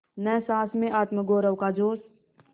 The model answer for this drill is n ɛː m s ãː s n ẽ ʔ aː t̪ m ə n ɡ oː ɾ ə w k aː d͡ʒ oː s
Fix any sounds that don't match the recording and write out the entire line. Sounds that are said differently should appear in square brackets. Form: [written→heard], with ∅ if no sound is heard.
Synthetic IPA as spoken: n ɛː [m→∅] s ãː s [n→m] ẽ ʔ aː t̪ m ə [n→∅] ɡ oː ɾ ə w k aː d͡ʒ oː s